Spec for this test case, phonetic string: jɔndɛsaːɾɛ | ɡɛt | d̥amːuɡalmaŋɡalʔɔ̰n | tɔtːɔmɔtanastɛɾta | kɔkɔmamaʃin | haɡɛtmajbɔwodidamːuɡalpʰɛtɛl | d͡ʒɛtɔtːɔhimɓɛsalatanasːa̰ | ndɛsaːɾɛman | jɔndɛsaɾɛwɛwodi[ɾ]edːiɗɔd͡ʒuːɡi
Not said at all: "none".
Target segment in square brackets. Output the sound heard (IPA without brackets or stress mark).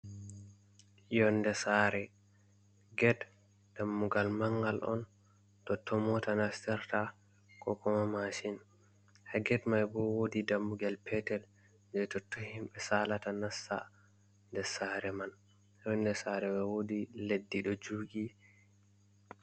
l